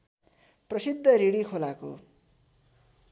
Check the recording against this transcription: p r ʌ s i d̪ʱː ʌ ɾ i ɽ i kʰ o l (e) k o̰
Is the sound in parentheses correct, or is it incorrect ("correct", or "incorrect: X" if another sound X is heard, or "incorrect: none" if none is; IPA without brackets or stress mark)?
incorrect: a